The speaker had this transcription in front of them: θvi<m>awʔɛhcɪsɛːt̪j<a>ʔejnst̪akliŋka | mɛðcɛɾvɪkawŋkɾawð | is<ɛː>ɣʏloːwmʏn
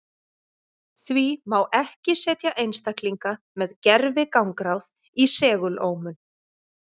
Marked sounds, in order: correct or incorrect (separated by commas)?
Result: correct, correct, correct